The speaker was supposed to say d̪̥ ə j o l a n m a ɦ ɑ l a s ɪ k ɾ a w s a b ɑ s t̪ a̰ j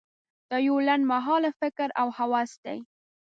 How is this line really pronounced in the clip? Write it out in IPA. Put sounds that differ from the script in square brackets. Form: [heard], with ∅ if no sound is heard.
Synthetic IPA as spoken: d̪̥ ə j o l a n m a ɦ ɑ l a [f] ɪ k ɾ a w [h] a [w] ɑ s [d̪] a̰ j